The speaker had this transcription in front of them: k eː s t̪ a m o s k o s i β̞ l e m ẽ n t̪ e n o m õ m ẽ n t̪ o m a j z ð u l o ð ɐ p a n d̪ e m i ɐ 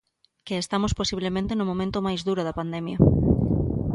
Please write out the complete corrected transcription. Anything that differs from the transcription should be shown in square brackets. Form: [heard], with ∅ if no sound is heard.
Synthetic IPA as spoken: k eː s t̪ a m o s [p] o s i β̞ l e m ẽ n t̪ e n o m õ m ẽ n t̪ o m a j z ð u [ɾ] o ð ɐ p a n d̪ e m [j] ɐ